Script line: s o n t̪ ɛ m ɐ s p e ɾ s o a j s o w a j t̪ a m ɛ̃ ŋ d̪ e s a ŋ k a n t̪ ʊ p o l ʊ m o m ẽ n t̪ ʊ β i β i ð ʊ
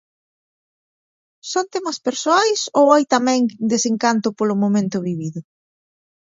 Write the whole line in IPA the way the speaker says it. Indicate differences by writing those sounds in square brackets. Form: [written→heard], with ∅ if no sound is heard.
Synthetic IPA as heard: s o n t̪ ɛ m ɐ s p e ɾ s o a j s o w a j t̪ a m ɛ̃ ŋ d̪ e s [a→e] ŋ k a n t̪ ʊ p o l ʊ m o m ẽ n t̪ ʊ β i β i ð ʊ

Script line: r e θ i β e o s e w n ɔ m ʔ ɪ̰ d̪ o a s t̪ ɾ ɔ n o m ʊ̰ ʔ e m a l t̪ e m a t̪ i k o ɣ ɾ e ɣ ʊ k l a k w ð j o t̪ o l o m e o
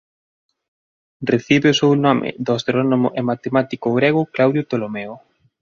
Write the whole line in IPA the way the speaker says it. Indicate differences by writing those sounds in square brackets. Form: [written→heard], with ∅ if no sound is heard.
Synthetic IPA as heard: r e θ i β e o s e w n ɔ m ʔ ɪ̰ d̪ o a s t̪ ɾ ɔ n o m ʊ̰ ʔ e m a [l→∅] t̪ e m a t̪ i k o ɣ ɾ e ɣ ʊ k l a [k→∅] w ð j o t̪ o l o m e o

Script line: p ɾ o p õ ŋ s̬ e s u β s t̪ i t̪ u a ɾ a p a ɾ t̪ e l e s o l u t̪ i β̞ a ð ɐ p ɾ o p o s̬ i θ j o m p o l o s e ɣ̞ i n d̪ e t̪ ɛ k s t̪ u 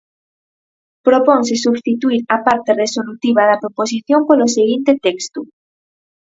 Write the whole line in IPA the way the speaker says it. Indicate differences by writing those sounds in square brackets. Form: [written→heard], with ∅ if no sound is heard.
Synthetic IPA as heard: p ɾ o p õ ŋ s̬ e s u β s t̪ i t̪ u [a→i] ɾ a p a ɾ t̪ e [l→r] e s o l u t̪ i β̞ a ð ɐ p ɾ o p o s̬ i θ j o m p o l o s e ɣ̞ i n [d̪→t̪] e t̪ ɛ k s t̪ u

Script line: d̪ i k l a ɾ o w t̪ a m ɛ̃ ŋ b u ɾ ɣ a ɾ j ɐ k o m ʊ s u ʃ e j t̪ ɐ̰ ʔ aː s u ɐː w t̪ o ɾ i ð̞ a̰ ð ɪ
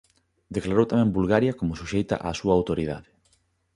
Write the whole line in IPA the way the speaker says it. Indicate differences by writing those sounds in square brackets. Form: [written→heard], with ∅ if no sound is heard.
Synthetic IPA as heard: d̪ [i→e] k l a ɾ o w t̪ a m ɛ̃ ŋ b u [ɾ→l] ɣ a ɾ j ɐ k o m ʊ s u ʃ e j t̪ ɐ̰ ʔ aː s u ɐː w t̪ o ɾ i ð̞ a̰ ð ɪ

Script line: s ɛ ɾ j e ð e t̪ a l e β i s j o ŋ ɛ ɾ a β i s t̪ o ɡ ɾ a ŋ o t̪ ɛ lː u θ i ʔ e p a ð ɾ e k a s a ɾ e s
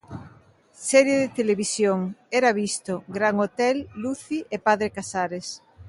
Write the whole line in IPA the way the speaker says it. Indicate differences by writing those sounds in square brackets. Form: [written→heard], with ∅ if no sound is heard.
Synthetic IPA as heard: s ɛ ɾ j e ð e t̪ [a→e] l e β i s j o ŋ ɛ ɾ a β i s t̪ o ɡ ɾ a ŋ o t̪ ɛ lː u θ i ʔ e p a ð ɾ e k a s a ɾ e s

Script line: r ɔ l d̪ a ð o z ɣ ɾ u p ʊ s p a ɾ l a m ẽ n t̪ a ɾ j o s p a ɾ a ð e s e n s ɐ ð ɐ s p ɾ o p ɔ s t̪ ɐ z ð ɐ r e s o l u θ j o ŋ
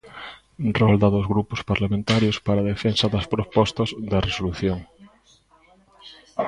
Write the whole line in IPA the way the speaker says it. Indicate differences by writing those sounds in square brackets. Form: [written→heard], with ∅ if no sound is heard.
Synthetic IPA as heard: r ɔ l d̪ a ð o z ɣ ɾ u p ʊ s p a ɾ l a m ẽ n t̪ a ɾ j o s p a ɾ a ð e [s→f] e n s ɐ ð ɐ s p ɾ o p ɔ s t̪ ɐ z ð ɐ r e s o l u θ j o ŋ

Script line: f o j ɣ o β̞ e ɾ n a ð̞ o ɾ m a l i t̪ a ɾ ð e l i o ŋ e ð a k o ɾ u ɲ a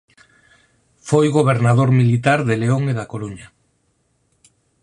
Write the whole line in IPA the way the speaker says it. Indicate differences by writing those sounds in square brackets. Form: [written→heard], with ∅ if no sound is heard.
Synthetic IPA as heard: f o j ɣ o β̞ e ɾ n a ð̞ o ɾ m [a→i] l i t̪ a ɾ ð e l [i→e] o ŋ e ð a k o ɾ u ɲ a

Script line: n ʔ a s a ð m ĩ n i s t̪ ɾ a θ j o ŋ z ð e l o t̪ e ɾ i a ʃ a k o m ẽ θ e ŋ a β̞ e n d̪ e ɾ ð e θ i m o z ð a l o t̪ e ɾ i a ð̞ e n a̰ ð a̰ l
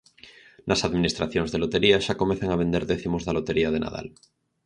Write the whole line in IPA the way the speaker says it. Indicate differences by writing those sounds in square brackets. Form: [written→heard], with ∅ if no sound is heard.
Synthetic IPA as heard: n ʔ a s a ð m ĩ n i s t̪ ɾ a θ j o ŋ z ð e l o t̪ e ɾ i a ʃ a k o m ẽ θ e ŋ a β̞ e n d̪ e ɾ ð e θ i m o z ð a l o t̪ e ɾ i a ð̞ e n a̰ ð a̰ l

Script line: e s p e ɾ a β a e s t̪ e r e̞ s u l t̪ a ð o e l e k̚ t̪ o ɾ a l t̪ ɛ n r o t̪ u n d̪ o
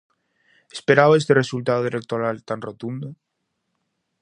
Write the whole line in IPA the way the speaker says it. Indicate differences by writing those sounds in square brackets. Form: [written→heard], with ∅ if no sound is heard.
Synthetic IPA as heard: e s p e ɾ a β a e s t̪ e r e̞ s u l t̪ a ð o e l e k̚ t̪ o ɾ a l t̪ [ɛ→a] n r o t̪ u n d̪ o

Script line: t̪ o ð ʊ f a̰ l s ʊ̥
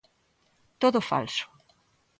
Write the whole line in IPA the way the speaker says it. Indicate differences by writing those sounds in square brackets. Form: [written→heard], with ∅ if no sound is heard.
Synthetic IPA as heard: t̪ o ð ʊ f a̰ l s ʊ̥

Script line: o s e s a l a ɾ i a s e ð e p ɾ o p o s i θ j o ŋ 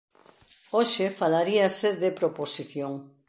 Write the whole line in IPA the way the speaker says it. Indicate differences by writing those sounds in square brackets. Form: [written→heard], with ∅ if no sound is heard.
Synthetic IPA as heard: o [s→ʃ] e [s→f] a l a ɾ i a s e ð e p ɾ o p o s i θ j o ŋ

